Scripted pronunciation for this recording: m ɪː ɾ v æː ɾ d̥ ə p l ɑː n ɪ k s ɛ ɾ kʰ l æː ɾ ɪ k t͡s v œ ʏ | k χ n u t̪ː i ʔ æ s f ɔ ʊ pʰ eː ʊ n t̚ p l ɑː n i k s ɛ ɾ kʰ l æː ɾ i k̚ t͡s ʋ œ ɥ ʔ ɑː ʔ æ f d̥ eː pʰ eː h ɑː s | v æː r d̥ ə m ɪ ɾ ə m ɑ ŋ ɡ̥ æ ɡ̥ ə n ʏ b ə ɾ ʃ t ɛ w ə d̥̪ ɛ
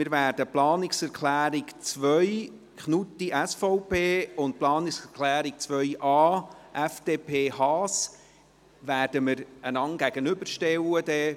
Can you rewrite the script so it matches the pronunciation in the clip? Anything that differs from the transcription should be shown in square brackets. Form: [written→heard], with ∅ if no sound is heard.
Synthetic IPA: m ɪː ɾ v æː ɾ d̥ ə p l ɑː n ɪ k s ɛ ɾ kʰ l æː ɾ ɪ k t͡s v œ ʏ | k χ n u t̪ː i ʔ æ s f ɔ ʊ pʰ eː ʊ n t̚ p l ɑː n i k s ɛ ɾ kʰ l æː ɾ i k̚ t͡s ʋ œ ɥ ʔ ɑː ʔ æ f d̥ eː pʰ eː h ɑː s | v æː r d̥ ə m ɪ ɾ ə [m→n] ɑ ŋ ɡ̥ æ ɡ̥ ə n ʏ b ə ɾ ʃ t ɛ w ə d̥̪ ɛ